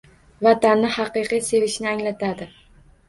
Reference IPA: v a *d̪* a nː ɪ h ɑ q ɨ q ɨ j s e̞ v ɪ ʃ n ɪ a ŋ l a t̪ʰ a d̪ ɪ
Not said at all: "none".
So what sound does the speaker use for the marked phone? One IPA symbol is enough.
t̪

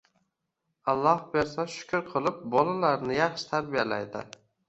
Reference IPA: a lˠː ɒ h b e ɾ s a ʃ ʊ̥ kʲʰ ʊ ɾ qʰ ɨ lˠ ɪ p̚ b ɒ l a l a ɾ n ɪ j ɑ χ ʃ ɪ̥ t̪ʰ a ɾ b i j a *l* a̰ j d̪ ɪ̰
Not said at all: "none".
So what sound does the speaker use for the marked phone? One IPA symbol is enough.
l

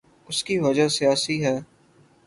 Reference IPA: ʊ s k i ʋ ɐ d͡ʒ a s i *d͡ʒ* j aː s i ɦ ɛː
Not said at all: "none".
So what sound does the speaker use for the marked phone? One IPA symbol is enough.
none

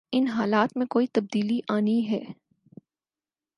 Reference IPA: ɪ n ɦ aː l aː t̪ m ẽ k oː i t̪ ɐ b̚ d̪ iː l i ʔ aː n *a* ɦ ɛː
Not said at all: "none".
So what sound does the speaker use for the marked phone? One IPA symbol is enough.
i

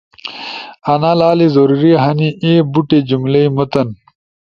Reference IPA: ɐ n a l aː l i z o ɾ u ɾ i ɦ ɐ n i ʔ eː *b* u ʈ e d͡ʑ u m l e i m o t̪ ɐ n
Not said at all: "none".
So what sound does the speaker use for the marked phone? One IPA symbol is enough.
b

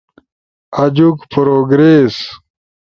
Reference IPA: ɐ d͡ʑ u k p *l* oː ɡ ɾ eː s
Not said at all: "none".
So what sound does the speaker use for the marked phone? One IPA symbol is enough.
ɾ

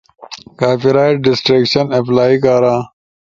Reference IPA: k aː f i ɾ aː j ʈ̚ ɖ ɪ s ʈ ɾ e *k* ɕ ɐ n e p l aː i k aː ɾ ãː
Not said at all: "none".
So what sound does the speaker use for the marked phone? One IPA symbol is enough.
k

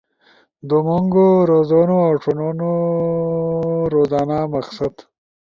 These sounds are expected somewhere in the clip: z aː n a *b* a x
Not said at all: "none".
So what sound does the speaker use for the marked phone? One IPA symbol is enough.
m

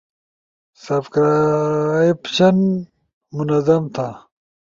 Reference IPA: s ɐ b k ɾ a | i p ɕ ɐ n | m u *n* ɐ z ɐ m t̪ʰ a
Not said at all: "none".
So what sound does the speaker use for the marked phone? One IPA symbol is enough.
n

